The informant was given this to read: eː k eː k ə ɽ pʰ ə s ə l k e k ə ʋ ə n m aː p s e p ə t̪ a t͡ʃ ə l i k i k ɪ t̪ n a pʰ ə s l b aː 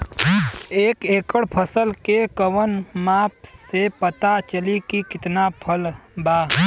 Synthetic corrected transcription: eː k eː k ə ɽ pʰ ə s ə l k e k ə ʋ ə n m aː p s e p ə t̪ a t͡ʃ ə l i k i k ɪ t̪ n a pʰ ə l b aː

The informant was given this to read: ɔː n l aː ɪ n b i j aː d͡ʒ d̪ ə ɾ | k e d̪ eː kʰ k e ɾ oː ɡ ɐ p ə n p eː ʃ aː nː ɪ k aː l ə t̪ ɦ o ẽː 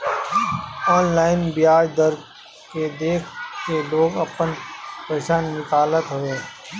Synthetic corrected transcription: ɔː n l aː ɪ n b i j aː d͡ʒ d̪ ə ɾ | k e d̪ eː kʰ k e l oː ɡ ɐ p ə n p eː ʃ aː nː ɪ k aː l ə t̪ ɦ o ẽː

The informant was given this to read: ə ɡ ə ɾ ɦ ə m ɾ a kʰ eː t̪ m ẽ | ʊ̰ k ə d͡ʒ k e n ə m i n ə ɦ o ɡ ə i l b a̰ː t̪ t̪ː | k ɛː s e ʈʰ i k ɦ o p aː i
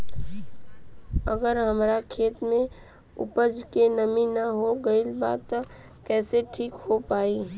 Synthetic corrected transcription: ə ɡ ə ɾ ɦ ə m ɾ a kʰ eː t̪ m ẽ | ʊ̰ p ə d͡ʒ k e n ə m i n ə ɦ o ɡ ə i l b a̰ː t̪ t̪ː | k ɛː s e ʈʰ iː k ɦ o p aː i

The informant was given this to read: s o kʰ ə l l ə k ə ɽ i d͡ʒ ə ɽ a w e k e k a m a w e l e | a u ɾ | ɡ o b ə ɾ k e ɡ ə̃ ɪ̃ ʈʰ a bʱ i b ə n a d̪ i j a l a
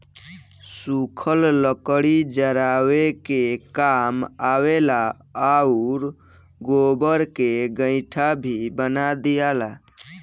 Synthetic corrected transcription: s u kʰ ə l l ə k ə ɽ i d͡ʒ ə ɾ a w e k e k a m a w e l a | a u ɾ | ɡ o b ə ɾ k e ɡ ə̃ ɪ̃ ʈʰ a bʱ i b ə n a d̪ i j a l a

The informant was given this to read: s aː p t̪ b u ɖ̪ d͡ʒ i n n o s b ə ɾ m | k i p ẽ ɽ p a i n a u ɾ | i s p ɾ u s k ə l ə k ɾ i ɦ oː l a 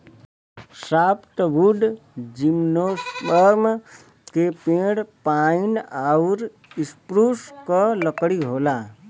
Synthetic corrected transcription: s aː p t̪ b u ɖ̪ d͡ʒ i m n o s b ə ɾ m | k e p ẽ ɽ p a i n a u ɾ | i s p ɾ u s k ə l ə k ɽ i ɦ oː l a

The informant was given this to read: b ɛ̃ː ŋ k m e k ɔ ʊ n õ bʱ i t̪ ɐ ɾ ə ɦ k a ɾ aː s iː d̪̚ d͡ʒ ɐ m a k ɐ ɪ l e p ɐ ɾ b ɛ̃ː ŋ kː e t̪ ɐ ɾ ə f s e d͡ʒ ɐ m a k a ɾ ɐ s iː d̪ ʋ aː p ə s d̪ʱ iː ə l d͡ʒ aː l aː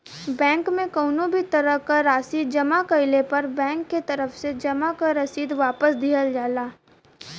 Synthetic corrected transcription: b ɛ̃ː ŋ k m ẽ k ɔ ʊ n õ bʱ i t̪ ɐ ɾ ə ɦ k a ɾ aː s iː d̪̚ d͡ʒ ɐ m a k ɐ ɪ l e p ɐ ɾ b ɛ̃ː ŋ kː e t̪ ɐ ɾ ə f s e d͡ʒ ɐ m a k a ɾ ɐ s iː d̪ ʋ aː p ə s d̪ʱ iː ə l d͡ʒ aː l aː

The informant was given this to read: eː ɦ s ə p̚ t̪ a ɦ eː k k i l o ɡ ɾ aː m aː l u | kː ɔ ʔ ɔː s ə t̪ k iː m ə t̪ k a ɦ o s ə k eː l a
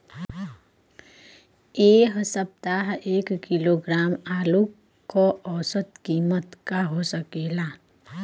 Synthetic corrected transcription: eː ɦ s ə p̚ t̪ a ɦ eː k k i l o ɡ ɾ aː m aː l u | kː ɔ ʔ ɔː s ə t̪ k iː m ə t̪ k a ɦ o s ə k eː l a

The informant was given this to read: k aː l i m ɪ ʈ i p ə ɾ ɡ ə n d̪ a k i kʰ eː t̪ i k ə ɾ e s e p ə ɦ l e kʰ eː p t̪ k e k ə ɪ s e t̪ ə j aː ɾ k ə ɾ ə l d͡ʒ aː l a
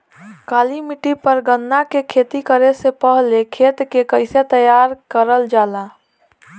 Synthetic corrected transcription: k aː l i m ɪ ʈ i p ə ɾ ɡ ə n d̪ a k e kʰ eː t̪ i k ə ɾ e s e p ə ɦ l e kʰ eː t̪ k e k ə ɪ s e t̪ ə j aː ɾ k ə ɾ ə l d͡ʒ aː l a

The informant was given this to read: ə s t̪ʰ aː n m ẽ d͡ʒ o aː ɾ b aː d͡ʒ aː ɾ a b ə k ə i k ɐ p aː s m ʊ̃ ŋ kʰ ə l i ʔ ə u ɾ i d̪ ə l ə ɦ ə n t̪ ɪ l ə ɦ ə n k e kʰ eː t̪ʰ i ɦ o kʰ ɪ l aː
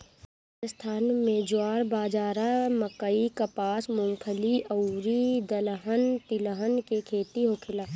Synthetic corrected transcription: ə s t̪ʰ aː n m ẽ d͡ʒ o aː ɾ b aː d͡ʒ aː ɾ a m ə k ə i k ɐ p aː s m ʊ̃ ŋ kʰ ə l i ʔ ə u ɾ i d̪ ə l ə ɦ ə n t̪ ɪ l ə ɦ ə n k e kʰ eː t̪ i ɦ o kʰ ɪ l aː

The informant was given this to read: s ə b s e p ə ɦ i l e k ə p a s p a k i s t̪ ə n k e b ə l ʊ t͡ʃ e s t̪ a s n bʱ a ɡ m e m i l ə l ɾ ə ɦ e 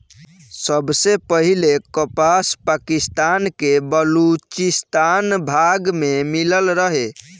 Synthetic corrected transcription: s ə b s e p ə ɦ i l e k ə p a s p a k i s t̪ a n k e b ə l u t͡ʃ i s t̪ a n bʱ a ɡ m e m i l ə l ɾ ə ɦ e

